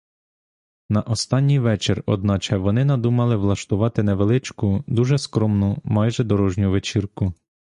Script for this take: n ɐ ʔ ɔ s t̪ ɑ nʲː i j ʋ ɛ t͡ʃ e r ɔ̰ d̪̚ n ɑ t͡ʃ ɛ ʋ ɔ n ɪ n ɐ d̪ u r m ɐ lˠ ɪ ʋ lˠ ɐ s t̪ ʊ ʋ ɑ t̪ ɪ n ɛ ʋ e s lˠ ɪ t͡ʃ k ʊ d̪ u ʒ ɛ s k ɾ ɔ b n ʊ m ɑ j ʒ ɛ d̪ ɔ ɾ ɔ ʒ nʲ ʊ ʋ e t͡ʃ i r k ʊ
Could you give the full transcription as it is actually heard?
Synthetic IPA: n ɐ ʔ ɔ s t̪ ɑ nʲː i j ʋ ɛ t͡ʃ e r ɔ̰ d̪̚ n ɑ t͡ʃ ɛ ʋ ɔ n ɪ n ɐ d̪ u m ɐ lˠ ɪ ʋ lˠ ɐ ʃ t̪ ʊ ʋ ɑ t̪ ɪ n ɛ ʋ e lˠ ɪ t͡ʃ k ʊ d̪ u ʒ ɛ s k ɾ ɔ m n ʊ m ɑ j ʒ ɛ d̪ ɔ ɾ ɔ ʒ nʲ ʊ ʋ e t͡ʃ i r k ʊ